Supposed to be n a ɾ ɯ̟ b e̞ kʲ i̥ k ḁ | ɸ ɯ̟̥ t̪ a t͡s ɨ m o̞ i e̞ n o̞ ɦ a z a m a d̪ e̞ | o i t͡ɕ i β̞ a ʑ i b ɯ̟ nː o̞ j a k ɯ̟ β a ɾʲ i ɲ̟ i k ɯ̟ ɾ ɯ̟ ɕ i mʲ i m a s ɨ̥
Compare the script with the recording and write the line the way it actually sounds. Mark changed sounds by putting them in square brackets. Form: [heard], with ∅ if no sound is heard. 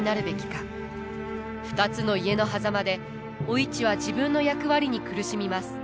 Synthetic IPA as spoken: n a ɾ ɯ̟ b e̞ kʲ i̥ k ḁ | ɸ ɯ̟̥ t̪ a t͡s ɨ [n] o̞ i e̞ n o̞ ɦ a z a m a d̪ e̞ | o i t͡ɕ i β̞ a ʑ i b [ɯ̟̃] nː o̞ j a k ɯ̟ β a ɾʲ i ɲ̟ i k ɯ̟ ɾ ɯ̟ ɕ i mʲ i m a s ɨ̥